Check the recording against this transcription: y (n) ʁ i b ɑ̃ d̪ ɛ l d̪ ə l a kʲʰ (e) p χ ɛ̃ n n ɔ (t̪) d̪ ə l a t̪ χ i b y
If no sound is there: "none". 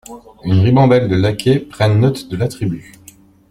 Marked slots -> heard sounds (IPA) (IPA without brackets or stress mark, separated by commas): n, e, t̪